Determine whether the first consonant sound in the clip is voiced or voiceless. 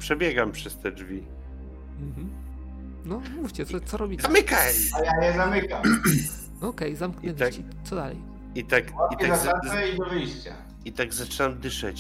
voiceless